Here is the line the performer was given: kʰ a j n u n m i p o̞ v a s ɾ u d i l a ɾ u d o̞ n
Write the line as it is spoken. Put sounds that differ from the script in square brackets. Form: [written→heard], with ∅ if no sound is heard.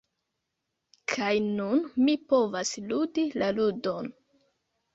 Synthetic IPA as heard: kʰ a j n u n m i p o̞ v a s [ɾ→l] u d i l a [ɾ→l] u d o̞ n